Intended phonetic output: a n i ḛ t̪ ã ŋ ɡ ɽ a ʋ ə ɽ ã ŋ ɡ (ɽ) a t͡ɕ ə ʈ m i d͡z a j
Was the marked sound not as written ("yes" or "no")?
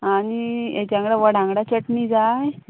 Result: no